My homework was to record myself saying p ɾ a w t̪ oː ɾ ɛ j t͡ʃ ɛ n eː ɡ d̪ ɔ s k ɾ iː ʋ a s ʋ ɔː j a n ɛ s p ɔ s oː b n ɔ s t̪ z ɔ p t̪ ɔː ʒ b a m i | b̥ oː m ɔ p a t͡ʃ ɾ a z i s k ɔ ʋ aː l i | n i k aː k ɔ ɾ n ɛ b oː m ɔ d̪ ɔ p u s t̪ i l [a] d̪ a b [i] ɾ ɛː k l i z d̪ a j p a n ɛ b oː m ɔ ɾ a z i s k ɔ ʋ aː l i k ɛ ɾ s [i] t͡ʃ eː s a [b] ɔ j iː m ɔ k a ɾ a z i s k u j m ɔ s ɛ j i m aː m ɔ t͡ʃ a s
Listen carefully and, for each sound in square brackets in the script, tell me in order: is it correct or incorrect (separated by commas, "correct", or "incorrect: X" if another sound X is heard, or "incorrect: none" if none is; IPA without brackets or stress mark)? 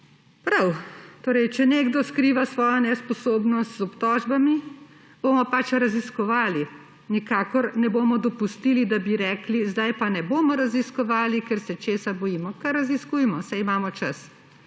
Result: incorrect: i, correct, incorrect: ɛ, correct